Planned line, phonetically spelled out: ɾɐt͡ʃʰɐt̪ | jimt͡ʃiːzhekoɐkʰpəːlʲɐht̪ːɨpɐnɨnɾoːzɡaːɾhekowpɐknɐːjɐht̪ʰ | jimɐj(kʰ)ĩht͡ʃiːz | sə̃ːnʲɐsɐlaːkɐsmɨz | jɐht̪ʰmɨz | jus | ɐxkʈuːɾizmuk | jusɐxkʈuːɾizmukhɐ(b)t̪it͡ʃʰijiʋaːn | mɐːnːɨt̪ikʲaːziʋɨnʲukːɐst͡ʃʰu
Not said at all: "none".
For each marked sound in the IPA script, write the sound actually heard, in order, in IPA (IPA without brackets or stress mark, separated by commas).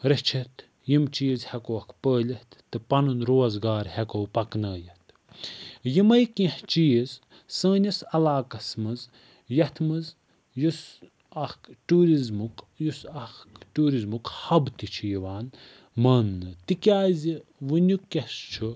k, b